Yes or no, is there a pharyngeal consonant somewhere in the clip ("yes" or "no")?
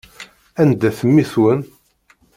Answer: no